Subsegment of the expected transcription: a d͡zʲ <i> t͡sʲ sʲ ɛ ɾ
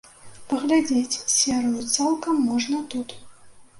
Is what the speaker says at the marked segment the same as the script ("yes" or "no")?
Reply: no